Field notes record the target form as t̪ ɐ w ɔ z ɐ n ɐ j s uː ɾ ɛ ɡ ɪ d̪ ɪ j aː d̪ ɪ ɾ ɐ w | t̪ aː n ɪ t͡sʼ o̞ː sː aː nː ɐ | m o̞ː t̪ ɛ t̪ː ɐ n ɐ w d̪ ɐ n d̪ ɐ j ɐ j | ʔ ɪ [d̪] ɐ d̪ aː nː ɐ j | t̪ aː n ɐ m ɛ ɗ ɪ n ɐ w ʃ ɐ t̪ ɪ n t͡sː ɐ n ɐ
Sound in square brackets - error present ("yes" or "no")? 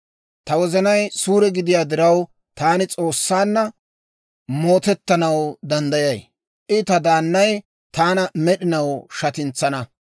yes